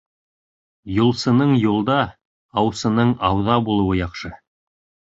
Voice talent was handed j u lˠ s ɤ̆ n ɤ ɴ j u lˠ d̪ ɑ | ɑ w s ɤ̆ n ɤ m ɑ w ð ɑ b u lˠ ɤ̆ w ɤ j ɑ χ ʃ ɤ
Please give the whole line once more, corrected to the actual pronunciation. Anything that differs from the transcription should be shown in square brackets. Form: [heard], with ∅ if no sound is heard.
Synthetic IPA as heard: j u lˠ s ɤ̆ n ɤ ɴ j u lˠ d̪ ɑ | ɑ w s ɤ̆ n ɤ [ɴ] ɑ w ð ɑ b u lˠ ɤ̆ w ɤ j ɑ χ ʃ ɤ